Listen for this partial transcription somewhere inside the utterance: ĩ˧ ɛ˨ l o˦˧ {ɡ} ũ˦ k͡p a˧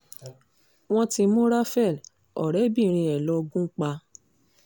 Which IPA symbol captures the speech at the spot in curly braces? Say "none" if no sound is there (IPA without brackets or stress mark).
ɡ